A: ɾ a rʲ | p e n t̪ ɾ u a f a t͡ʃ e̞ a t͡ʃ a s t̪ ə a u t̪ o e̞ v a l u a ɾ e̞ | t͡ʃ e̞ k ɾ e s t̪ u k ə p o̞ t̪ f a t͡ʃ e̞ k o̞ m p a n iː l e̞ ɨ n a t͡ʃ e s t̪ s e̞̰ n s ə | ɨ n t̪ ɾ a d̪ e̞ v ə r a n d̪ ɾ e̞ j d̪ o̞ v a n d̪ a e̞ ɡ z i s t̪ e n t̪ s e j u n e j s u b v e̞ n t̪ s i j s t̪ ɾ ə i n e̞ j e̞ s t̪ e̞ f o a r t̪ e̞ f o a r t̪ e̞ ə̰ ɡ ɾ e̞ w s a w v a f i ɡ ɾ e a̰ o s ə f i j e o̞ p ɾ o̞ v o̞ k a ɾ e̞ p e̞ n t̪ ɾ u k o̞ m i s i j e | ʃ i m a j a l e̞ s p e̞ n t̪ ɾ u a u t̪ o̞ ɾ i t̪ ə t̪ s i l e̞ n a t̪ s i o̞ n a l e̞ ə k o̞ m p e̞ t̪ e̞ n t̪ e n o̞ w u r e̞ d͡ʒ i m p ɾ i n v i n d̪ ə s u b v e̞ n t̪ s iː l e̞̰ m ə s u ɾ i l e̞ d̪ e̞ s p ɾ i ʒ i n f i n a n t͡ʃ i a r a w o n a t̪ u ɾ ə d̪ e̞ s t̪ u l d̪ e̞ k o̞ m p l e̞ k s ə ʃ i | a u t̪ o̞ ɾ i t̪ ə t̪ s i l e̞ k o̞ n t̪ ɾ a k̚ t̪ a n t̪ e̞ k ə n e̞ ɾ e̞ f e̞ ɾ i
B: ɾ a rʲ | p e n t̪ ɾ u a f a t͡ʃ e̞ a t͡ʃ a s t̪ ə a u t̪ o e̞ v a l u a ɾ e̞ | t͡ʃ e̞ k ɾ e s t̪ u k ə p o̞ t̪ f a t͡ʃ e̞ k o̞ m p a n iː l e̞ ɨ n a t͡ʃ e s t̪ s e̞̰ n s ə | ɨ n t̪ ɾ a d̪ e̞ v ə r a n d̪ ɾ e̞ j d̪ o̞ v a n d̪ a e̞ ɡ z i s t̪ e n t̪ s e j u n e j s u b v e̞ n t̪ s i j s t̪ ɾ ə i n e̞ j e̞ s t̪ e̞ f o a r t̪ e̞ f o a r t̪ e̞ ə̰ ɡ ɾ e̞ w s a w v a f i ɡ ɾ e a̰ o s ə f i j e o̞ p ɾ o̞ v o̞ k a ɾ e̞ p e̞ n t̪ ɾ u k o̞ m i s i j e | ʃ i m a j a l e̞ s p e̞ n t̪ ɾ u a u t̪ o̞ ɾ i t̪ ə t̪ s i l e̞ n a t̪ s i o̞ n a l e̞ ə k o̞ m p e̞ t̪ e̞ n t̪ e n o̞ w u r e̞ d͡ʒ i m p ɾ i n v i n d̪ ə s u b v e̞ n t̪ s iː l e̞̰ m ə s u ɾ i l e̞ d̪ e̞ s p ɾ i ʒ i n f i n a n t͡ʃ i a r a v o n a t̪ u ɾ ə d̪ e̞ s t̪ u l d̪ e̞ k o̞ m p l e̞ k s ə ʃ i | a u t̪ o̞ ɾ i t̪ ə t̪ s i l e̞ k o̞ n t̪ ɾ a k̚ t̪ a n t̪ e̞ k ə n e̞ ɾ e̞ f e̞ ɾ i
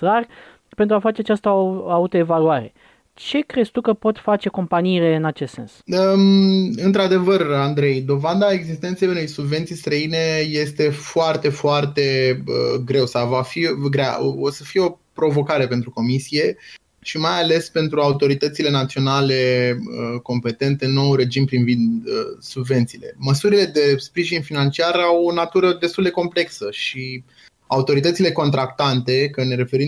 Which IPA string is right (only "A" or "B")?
A